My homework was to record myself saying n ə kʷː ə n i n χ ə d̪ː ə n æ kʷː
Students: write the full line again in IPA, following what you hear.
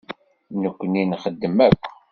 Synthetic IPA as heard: n ə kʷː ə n i n χ ə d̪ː ə m æ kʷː